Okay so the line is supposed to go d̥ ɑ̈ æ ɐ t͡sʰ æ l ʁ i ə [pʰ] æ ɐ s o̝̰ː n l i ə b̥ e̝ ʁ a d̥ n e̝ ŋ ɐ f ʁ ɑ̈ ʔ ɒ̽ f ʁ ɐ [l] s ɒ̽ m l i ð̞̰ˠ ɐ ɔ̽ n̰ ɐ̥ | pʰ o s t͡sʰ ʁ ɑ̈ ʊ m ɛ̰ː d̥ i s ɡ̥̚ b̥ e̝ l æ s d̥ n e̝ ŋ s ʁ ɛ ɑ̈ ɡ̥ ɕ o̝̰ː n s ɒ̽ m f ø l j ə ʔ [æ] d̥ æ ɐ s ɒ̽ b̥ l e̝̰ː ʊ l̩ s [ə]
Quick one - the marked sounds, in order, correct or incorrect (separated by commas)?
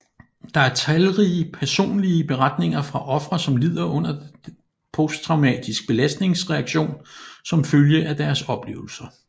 correct, incorrect, correct, incorrect